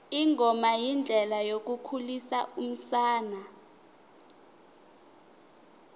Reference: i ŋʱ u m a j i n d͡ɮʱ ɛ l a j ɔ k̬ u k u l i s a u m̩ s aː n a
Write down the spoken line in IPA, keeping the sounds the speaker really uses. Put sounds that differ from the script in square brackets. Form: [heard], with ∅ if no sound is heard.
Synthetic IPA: i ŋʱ [ɔ] m a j i n d͡ɮʱ ɛ l a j [o] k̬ u [kʰ] u l i s a u m̩ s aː n a